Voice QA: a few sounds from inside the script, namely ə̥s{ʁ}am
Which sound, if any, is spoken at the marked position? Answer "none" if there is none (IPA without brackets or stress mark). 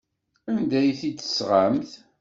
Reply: ʁ